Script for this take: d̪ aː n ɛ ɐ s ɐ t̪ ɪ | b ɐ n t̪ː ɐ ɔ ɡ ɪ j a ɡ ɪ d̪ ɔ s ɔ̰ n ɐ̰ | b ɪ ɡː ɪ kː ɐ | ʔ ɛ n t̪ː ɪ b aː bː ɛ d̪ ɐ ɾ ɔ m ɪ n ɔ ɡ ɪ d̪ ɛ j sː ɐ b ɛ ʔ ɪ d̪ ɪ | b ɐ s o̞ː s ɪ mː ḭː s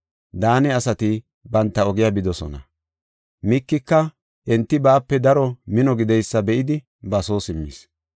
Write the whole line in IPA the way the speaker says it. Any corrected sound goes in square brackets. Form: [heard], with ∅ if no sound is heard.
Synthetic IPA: d̪ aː n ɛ ɐ s ɐ t̪ ɪ | b ɐ n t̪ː ɐ ɔ ɡ ɪ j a [b] ɪ d̪ ɔ s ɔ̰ n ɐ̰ | [m] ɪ [kː] ɪ kː ɐ | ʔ ɛ n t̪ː ɪ b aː [pː] ɛ d̪ ɐ ɾ ɔ m ɪ n ɔ ɡ ɪ d̪ ɛ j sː ɐ b ɛ ʔ ɪ d̪ ɪ | b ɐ s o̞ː s ɪ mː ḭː s